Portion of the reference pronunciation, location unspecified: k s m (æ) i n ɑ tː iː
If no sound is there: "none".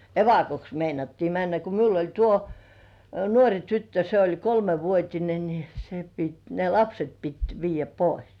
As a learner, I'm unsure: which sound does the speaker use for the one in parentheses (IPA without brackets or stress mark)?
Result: e